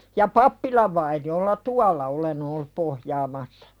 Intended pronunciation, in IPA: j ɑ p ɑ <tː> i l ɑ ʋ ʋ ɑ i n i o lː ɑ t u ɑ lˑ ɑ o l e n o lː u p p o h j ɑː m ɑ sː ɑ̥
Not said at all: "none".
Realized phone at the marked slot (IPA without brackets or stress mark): pː